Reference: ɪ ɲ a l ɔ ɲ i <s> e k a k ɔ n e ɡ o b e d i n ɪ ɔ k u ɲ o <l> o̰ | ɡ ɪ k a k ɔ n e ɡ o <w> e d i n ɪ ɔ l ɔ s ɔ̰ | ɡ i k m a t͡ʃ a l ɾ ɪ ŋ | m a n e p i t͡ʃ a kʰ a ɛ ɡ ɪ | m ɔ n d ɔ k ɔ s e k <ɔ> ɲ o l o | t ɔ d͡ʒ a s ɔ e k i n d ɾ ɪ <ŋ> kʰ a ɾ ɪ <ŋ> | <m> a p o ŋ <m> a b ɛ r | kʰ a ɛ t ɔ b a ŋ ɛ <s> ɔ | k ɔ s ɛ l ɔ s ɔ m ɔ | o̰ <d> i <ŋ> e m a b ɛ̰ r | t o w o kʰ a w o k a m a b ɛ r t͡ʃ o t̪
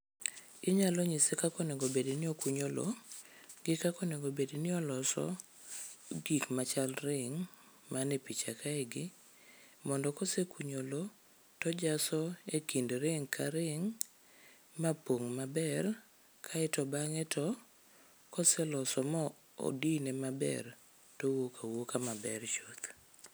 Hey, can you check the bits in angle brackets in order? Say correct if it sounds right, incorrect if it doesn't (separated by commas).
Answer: correct, correct, incorrect, incorrect, correct, correct, correct, correct, incorrect, correct, incorrect